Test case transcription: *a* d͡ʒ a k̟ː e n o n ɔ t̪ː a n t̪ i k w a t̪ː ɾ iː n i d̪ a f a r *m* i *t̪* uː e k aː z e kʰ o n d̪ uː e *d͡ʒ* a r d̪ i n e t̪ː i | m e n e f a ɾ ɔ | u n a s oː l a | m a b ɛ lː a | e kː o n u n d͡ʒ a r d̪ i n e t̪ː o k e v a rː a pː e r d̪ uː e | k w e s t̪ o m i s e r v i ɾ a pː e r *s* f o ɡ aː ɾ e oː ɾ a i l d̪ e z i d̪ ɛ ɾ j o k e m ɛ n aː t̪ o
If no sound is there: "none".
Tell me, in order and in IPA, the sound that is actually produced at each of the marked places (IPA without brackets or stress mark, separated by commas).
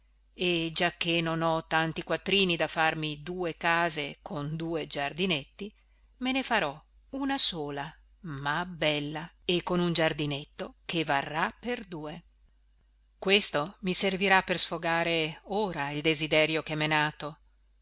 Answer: e, m, d̪, d͡ʒ, s